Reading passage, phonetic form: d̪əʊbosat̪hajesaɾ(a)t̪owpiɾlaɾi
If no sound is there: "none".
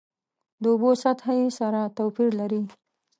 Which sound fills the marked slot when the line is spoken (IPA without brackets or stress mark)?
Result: a